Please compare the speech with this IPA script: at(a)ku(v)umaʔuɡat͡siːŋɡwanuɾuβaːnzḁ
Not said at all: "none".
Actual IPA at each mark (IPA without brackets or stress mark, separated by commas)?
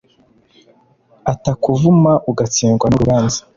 a, v